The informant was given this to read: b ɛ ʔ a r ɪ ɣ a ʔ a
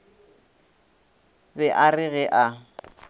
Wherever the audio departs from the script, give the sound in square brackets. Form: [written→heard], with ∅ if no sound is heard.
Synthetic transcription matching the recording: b ɛ ʔ a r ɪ ɣ [a→ɛ] ʔ a